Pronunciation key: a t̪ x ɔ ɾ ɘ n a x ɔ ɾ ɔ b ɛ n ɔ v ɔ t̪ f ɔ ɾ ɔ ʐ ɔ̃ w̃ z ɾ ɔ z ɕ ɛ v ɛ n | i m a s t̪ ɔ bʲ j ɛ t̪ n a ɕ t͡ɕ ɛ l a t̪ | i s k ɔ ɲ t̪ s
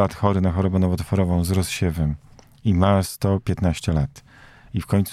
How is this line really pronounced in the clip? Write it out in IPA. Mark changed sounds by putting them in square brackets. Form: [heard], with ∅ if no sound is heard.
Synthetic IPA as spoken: a t̪ x ɔ ɾ ɘ n a x ɔ ɾ ɔ b ɛ n ɔ v ɔ t̪ f ɔ ɾ ɔ [v] ɔ̃ w̃ z ɾ ɔ [s] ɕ ɛ v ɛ [m] | i m a s t̪ ɔ [pʲ] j ɛ t̪ n a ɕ t͡ɕ ɛ l a t̪ | i [f] k ɔ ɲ t̪ s